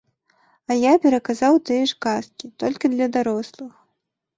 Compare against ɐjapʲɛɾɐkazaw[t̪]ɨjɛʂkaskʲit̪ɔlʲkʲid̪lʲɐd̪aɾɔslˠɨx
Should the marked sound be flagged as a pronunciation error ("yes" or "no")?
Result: no